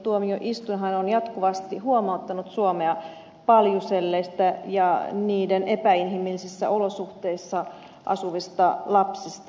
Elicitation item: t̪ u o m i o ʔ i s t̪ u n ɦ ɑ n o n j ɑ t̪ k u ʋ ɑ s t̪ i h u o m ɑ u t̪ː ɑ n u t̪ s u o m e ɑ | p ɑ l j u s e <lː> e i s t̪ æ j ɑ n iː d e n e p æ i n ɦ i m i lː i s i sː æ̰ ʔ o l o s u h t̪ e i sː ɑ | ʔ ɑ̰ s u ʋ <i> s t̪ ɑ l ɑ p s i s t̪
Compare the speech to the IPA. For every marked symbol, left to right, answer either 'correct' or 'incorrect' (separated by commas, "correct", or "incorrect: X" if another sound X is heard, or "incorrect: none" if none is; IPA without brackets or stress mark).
correct, correct